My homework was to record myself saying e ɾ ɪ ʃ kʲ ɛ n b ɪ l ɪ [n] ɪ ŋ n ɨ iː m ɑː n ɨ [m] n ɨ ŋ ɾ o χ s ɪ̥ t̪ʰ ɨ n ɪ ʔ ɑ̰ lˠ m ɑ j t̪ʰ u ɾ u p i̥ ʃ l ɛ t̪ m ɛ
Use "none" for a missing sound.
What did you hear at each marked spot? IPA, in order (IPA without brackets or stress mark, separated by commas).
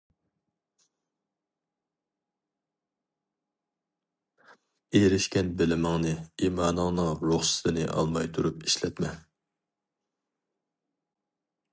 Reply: m, ŋ